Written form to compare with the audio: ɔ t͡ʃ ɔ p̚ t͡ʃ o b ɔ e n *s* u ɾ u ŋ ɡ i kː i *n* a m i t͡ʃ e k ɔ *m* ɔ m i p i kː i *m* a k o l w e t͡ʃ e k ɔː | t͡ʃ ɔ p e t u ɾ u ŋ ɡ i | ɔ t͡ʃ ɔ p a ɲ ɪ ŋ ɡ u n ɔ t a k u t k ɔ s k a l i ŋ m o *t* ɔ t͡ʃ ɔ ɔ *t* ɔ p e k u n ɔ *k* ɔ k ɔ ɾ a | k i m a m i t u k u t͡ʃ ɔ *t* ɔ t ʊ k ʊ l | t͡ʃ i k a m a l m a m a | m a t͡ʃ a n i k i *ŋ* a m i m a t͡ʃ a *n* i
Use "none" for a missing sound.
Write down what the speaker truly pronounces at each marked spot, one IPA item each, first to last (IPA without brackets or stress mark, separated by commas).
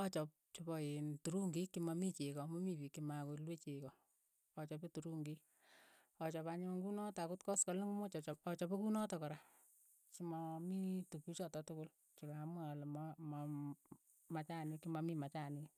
t, m, m, m, t͡ʃ, t͡ʃ, t, t, m, n